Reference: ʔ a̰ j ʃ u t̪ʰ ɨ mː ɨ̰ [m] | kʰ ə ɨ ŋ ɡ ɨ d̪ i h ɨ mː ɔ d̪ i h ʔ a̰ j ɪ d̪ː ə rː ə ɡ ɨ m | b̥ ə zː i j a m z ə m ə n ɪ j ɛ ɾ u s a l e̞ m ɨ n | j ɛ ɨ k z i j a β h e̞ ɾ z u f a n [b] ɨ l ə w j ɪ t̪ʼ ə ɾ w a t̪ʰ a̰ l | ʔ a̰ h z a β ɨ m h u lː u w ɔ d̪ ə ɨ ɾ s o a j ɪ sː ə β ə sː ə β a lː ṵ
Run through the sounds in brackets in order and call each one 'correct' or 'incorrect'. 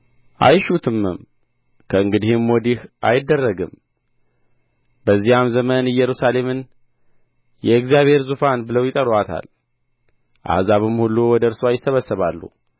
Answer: correct, correct

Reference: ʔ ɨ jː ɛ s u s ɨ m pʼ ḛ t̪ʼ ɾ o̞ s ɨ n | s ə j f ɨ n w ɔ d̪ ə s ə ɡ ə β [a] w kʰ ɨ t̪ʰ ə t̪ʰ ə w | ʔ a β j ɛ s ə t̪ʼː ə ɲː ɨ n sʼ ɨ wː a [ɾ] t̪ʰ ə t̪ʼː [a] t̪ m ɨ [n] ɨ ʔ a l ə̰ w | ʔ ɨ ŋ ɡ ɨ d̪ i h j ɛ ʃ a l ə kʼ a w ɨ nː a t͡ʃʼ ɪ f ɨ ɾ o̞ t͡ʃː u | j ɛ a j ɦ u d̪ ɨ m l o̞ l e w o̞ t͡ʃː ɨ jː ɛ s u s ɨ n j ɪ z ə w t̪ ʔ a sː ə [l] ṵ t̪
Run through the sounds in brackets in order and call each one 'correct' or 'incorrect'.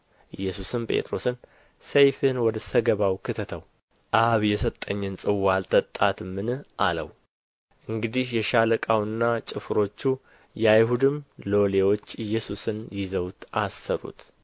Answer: correct, incorrect: l, correct, correct, incorrect: ɾ

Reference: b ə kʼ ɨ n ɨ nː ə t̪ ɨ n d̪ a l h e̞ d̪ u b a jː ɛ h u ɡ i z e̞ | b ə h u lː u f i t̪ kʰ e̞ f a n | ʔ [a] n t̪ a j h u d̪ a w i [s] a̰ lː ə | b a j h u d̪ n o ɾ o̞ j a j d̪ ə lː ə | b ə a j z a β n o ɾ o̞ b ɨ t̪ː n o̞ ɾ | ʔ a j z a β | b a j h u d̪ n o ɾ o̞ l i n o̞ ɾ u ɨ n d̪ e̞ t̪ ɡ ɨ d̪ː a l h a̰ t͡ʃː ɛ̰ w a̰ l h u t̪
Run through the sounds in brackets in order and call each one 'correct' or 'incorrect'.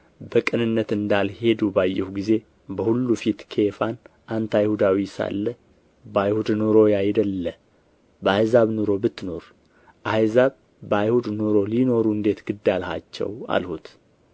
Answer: correct, correct

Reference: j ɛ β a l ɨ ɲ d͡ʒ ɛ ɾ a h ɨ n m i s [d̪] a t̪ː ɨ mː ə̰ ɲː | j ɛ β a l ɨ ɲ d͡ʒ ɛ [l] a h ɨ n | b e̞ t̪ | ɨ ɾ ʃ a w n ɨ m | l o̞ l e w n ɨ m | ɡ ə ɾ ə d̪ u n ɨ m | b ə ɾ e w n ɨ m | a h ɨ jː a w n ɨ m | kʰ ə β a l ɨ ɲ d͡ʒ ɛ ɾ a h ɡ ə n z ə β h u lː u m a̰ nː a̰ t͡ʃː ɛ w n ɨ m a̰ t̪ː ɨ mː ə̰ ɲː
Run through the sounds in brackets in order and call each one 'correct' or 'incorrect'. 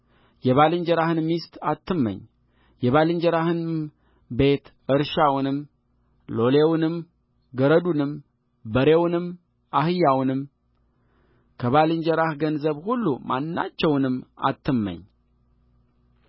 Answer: incorrect: t̪, incorrect: ɾ

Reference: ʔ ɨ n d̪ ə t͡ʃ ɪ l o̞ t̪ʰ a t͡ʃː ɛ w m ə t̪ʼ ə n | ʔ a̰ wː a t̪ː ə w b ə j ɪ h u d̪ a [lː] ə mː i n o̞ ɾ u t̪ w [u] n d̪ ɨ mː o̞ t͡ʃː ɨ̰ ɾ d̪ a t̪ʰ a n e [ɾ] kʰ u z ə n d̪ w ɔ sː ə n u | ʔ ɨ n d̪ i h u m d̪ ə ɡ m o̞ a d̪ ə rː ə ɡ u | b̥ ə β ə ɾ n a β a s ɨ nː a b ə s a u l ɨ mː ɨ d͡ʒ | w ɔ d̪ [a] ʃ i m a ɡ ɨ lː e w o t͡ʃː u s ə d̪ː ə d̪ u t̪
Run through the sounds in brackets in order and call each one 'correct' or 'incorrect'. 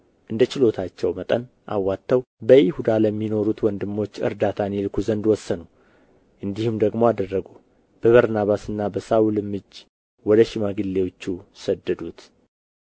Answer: incorrect: l, incorrect: ɔ, incorrect: l, incorrect: ə

